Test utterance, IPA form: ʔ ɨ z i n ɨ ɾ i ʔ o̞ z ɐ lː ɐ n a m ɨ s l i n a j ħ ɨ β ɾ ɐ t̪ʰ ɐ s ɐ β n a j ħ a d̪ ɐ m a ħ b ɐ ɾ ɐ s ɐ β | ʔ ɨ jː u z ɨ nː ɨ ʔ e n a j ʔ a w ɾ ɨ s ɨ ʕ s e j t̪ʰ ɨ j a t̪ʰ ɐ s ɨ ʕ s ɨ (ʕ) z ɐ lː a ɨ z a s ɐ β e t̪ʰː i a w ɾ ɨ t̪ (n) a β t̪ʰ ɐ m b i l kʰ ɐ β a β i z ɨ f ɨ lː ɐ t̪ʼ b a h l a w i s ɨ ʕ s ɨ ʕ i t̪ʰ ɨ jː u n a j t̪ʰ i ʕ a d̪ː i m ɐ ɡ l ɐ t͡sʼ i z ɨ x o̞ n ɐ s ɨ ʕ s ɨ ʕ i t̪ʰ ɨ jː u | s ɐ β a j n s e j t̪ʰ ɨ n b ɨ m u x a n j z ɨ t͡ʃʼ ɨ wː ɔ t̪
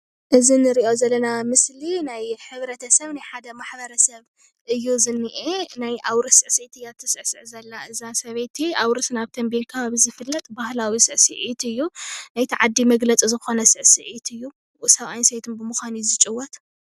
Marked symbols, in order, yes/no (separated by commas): yes, yes